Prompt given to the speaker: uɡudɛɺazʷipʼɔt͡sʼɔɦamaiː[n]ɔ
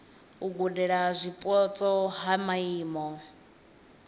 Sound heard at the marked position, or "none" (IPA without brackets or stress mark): m